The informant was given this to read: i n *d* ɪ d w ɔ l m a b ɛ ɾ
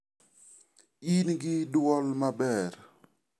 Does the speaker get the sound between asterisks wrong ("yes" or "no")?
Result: yes